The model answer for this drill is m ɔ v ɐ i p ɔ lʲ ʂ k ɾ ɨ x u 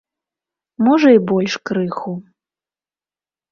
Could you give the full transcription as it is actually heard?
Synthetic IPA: m ɔ ʐ ɐ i b ɔ lʲ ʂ k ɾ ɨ x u